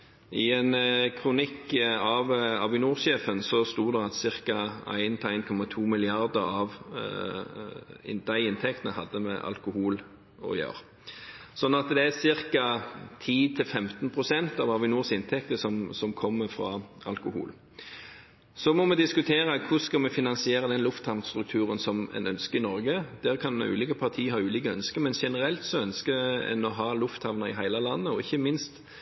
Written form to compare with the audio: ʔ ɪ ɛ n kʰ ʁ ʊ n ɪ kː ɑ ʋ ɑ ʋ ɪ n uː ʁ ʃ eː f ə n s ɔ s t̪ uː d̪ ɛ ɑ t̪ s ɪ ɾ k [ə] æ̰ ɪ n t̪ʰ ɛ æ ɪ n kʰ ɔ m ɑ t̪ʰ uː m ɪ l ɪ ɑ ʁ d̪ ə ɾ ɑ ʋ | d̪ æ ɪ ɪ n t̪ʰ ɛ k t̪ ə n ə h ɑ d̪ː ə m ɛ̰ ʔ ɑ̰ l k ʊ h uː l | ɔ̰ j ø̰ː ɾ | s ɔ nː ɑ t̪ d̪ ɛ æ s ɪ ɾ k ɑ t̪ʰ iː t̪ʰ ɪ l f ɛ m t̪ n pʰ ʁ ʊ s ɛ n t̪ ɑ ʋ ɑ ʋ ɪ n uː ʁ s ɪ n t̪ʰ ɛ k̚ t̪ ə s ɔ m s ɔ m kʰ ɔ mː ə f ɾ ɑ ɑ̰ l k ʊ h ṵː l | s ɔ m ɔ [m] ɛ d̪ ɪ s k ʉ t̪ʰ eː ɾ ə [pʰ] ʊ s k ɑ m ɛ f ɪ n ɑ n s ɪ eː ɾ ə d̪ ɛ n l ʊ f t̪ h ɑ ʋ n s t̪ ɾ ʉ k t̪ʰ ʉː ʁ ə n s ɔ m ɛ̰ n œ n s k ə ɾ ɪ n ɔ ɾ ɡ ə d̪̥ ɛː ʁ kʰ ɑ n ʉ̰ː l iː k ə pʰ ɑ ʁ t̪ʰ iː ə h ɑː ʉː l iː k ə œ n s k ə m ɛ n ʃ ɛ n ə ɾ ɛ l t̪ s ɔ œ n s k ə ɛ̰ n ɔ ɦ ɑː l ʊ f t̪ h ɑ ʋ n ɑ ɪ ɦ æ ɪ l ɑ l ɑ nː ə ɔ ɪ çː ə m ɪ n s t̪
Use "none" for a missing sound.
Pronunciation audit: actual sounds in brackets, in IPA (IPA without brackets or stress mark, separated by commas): ɑ, m, kʰ